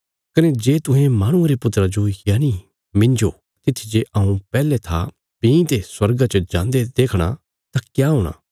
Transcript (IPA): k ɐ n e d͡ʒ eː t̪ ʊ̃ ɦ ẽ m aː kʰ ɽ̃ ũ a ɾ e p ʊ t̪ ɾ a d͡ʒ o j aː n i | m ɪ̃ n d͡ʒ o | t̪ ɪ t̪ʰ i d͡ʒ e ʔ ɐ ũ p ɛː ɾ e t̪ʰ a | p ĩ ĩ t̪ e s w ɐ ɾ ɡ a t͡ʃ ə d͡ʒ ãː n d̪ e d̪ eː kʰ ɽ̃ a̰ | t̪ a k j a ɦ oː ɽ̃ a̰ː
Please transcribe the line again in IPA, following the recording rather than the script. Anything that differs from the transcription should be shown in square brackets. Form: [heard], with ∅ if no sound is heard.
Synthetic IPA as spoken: k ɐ n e d͡ʒ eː t̪ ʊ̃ ɦ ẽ m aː [∅] ɽ̃ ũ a ɾ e p ʊ t̪ ɾ a d͡ʒ o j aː n i | m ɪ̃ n d͡ʒ o | t̪ ɪ t̪ʰ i d͡ʒ e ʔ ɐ ũ p ɛː [l] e t̪ʰ a | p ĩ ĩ t̪ e s w ɐ ɾ ɡ a t͡ʃ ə d͡ʒ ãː n d̪ e d̪ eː kʰ ɽ̃ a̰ | t̪ a k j a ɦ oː ɽ̃ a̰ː